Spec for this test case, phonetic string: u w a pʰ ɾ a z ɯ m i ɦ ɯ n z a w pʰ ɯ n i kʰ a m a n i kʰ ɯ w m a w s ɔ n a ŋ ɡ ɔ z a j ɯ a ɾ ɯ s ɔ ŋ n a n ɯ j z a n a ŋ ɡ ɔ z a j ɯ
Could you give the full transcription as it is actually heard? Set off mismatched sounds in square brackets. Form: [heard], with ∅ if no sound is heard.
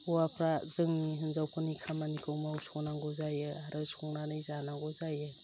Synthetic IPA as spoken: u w a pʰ ɾ a z ɯ [ŋ] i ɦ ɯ n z a w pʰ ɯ n i kʰ a m a n i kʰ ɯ w m a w s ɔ n a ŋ ɡ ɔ z a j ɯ a ɾ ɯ s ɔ ŋ n a n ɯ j z a n a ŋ ɡ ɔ z a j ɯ